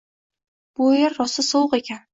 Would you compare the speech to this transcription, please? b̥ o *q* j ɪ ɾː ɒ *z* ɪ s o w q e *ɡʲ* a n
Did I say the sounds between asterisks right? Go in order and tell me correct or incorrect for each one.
incorrect: none, incorrect: s, incorrect: kʲ

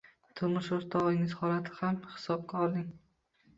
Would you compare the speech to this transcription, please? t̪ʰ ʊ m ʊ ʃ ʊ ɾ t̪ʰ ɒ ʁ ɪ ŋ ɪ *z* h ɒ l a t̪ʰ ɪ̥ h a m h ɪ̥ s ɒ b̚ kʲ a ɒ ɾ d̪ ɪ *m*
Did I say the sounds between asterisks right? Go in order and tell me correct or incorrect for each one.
correct, incorrect: ŋ

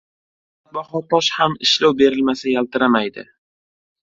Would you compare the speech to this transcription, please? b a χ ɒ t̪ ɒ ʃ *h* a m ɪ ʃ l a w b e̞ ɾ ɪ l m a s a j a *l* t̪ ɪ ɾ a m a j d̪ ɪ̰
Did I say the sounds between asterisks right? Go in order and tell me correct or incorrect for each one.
correct, correct

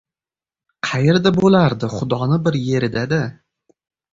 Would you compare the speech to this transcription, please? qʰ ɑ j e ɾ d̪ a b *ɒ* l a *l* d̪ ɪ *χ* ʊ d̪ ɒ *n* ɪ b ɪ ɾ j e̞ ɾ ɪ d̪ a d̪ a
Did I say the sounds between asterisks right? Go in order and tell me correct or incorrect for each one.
incorrect: o, incorrect: ɾ, correct, correct

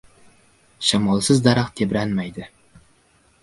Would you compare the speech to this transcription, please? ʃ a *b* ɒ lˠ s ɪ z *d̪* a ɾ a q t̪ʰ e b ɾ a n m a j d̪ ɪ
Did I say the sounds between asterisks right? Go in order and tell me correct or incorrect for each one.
incorrect: m, correct

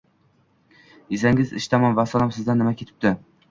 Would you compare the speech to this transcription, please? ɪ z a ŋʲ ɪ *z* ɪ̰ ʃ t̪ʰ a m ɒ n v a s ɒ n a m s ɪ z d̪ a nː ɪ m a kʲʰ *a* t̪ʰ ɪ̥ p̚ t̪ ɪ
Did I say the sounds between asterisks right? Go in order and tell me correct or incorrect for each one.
correct, incorrect: e

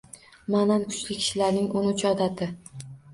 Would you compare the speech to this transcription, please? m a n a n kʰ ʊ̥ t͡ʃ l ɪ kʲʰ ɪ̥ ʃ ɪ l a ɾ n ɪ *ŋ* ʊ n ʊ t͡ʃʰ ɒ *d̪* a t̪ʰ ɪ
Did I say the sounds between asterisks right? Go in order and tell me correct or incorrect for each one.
correct, correct

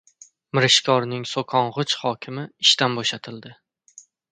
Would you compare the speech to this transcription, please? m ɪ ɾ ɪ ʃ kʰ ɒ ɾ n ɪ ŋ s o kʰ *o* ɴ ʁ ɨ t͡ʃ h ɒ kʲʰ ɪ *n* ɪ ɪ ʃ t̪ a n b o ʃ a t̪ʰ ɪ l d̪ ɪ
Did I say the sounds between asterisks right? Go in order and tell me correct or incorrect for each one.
incorrect: ɒ, incorrect: m

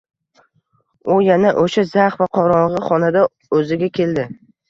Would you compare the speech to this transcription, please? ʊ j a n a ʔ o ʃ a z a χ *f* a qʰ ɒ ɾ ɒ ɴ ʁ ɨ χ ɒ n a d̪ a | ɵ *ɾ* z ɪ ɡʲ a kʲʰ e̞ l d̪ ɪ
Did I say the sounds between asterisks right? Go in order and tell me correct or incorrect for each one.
incorrect: v, incorrect: none

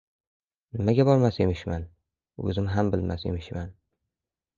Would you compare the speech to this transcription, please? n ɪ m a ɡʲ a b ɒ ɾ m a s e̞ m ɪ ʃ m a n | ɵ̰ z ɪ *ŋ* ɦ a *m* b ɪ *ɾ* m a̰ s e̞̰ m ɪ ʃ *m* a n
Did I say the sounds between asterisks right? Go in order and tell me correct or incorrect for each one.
incorrect: m, correct, incorrect: l, correct

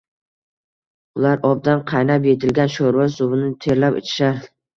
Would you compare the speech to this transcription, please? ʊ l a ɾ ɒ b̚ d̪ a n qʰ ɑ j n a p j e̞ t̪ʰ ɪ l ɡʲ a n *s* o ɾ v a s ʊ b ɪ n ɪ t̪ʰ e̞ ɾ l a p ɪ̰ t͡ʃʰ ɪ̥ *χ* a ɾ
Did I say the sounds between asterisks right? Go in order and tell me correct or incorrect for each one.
incorrect: ʃ, incorrect: ʃ

